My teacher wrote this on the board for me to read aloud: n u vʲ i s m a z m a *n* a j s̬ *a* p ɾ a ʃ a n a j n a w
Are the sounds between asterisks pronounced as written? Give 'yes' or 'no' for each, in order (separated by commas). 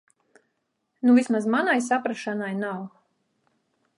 yes, yes